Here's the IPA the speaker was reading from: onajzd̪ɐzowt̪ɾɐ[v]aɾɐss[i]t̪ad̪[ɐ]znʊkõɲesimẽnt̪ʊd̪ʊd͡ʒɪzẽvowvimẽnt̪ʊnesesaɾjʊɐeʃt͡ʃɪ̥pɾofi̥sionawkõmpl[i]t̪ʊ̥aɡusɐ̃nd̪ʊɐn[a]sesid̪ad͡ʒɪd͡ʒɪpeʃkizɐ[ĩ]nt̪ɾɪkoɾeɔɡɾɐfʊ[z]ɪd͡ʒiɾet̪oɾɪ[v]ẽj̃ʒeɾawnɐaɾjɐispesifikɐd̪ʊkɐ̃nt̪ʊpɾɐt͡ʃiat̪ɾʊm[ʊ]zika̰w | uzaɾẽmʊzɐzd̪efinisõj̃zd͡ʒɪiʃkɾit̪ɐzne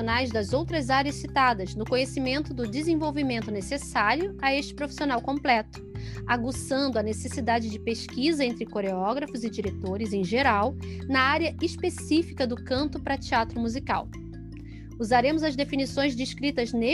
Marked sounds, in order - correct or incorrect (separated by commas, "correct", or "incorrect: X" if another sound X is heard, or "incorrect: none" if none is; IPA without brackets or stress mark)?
incorrect: z, correct, correct, incorrect: ɛ, incorrect: e, incorrect: ẽ, correct, incorrect: z, incorrect: u